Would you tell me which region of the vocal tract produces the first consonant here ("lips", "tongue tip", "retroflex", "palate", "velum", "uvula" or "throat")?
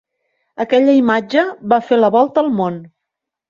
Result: velum